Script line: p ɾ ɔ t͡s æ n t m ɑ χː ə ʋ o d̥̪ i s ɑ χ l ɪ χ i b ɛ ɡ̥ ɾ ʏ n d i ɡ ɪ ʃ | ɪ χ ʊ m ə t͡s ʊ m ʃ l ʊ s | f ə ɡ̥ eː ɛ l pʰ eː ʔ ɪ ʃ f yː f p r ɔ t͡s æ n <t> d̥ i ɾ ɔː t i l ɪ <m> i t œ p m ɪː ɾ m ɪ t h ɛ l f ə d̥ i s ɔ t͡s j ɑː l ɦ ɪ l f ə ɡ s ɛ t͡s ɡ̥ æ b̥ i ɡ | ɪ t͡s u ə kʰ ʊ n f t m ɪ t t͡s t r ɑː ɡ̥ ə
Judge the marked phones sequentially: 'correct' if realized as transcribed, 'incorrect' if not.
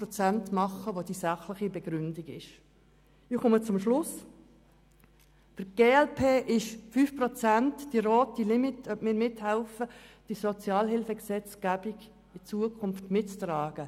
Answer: correct, correct

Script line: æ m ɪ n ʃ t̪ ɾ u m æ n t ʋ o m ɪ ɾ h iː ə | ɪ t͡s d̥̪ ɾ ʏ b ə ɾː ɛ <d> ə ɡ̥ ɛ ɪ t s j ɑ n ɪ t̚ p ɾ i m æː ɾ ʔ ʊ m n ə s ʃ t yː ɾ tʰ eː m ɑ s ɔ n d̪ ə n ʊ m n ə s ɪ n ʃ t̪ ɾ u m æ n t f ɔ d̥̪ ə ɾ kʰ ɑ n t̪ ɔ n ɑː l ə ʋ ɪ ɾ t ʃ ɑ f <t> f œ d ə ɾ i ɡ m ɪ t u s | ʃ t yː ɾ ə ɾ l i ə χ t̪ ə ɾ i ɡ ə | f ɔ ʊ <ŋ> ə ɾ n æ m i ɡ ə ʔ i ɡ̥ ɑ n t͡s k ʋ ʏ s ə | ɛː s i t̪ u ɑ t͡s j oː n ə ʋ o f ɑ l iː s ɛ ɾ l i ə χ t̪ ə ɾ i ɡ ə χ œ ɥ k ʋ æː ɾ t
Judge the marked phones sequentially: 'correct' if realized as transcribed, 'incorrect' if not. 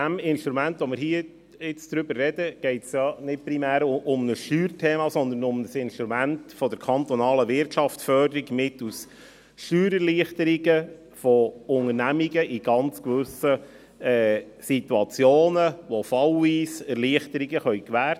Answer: correct, correct, correct

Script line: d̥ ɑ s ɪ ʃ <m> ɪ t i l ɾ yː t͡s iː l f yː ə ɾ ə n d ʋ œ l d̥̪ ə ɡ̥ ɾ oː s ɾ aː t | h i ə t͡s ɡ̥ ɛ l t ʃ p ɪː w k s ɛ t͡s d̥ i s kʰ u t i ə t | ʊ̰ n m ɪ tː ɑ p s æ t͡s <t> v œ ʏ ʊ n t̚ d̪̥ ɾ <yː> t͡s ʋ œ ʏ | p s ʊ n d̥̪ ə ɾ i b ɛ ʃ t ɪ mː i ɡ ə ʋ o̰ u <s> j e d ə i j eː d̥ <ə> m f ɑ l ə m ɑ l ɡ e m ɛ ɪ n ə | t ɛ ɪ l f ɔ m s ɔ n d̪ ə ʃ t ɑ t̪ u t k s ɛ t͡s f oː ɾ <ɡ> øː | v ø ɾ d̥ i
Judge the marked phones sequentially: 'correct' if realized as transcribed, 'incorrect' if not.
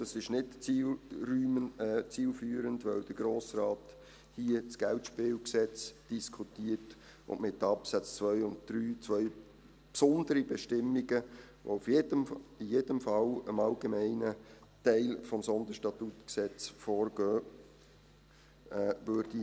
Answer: incorrect: n, incorrect: t͡s, correct, incorrect: f, correct, correct

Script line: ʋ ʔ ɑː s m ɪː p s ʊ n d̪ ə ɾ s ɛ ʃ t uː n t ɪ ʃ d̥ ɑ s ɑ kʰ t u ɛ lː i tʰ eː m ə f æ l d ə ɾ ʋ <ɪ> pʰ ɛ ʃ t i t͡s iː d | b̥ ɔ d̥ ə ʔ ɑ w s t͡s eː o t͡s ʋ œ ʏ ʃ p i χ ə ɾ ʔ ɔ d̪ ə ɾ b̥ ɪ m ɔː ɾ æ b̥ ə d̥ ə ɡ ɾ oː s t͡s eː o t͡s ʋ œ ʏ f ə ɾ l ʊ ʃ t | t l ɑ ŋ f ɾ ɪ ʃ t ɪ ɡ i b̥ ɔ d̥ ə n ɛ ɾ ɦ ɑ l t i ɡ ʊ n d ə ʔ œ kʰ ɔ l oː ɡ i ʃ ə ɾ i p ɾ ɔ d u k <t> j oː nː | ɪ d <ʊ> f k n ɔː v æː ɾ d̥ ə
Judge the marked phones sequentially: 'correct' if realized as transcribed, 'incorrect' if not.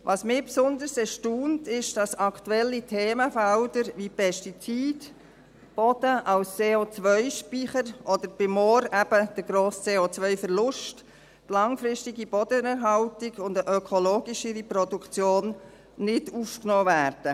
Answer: incorrect: i, incorrect: t͡s, incorrect: u

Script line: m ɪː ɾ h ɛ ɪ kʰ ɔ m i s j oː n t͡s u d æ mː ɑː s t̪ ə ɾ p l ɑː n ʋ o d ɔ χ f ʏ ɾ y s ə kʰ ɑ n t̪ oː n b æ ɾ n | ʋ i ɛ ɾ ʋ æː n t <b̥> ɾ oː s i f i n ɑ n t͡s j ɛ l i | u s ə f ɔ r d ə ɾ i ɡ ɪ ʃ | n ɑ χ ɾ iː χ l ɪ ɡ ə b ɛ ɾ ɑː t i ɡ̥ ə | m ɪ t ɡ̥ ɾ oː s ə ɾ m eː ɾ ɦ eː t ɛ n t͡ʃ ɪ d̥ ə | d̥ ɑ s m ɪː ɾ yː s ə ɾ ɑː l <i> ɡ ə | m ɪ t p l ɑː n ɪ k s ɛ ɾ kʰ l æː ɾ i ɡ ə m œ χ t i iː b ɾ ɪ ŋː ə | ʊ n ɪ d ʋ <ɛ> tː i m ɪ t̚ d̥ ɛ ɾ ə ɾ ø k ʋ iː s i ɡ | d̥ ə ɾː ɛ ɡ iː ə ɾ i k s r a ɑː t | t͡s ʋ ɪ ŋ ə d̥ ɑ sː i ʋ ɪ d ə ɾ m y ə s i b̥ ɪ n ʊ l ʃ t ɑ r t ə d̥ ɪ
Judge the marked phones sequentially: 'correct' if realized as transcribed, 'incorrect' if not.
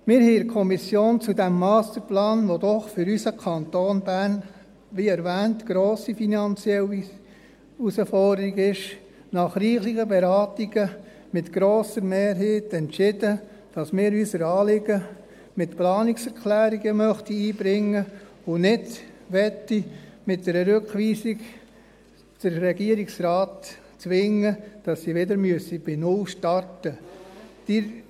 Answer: incorrect: ɡ̥, incorrect: ɪ, correct

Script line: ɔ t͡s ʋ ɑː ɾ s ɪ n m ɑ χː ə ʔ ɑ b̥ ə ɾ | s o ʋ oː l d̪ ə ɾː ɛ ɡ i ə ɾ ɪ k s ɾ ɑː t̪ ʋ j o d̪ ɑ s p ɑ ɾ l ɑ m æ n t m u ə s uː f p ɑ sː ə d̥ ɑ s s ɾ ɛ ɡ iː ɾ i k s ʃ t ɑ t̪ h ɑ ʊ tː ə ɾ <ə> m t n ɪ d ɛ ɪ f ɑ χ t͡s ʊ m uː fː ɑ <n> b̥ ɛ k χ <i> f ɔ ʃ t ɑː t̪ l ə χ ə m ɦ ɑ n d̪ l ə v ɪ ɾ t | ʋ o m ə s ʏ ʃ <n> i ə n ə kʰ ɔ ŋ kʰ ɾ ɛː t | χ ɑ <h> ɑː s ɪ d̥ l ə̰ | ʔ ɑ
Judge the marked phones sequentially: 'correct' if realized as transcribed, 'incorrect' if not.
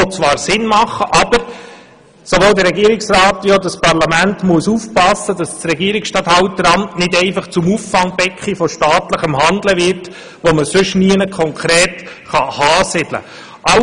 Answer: incorrect: ɑ, incorrect: ŋ, correct, correct, correct

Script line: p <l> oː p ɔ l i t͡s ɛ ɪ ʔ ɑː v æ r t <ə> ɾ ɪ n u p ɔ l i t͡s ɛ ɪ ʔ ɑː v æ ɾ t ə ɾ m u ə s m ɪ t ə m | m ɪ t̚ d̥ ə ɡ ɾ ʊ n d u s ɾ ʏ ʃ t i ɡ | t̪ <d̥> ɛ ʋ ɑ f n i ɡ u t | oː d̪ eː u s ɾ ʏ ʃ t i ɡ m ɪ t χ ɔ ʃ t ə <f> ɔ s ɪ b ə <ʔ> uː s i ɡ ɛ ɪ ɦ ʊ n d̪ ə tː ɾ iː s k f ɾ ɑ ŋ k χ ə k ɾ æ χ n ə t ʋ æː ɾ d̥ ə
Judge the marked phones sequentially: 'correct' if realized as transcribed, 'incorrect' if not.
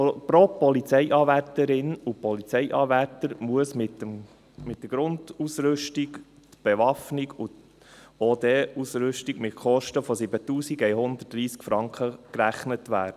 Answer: incorrect: ɾ, correct, incorrect: b̥, correct, incorrect: t

